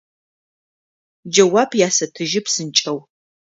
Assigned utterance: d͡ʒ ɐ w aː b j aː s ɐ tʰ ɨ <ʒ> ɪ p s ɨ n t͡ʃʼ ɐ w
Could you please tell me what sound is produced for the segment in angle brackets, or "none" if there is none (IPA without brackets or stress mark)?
ʒ